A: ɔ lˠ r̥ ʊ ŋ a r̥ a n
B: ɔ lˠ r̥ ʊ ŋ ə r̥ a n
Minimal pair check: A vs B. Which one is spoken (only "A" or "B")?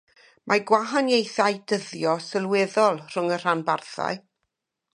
B